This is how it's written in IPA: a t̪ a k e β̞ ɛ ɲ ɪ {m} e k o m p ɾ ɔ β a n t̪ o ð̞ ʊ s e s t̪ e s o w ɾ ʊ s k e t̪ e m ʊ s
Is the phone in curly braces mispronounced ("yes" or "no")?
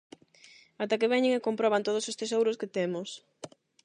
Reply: yes